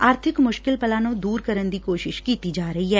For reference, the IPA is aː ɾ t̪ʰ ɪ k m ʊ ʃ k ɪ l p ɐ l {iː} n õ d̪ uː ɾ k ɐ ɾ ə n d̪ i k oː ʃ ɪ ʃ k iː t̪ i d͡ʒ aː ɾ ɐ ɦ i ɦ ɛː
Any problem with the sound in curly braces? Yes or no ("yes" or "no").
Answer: yes